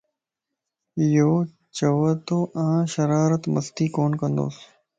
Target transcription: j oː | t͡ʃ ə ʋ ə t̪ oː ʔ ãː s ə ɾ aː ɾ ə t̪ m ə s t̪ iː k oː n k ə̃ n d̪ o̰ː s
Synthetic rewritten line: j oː | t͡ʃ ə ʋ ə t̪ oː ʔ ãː ʃ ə ɾ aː ɾ ə t̪ m ə s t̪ iː k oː n k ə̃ n d̪ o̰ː s